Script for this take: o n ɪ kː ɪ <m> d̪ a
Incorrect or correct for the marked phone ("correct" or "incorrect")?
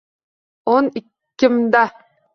correct